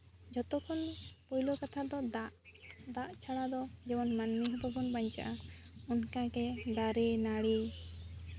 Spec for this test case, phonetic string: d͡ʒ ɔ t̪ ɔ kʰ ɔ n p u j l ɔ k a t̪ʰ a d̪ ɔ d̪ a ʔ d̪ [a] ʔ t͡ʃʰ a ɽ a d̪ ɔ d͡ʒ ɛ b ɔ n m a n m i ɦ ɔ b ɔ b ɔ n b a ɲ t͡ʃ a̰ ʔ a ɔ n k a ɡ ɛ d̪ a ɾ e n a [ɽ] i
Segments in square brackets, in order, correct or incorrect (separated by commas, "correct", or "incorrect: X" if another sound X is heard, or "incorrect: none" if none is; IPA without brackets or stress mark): correct, correct